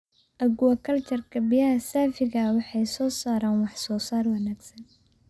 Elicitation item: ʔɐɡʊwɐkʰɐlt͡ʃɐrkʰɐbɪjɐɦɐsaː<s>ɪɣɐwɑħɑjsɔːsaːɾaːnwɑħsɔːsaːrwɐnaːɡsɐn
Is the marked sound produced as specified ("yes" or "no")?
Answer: no